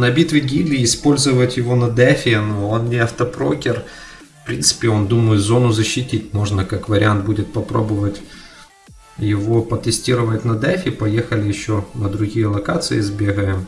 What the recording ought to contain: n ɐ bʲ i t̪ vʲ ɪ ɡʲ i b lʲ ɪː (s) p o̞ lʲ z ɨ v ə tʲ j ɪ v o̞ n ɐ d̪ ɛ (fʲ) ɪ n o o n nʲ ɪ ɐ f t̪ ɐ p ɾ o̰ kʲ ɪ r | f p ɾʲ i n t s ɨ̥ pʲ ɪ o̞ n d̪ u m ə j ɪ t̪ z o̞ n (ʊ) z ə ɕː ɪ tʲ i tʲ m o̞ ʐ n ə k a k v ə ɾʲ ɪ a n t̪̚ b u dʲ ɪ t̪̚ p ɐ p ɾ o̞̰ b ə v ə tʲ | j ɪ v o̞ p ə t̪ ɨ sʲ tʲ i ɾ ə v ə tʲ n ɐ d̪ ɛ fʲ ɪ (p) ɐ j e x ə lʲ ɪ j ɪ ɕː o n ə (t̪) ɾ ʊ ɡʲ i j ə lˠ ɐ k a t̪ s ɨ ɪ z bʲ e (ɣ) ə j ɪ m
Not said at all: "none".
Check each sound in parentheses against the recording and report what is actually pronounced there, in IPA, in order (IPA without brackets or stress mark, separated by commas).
s, fʲ, ʊ, p, d̪, ɣ